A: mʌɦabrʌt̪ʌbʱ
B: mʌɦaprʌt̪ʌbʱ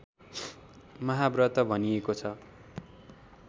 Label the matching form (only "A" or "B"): A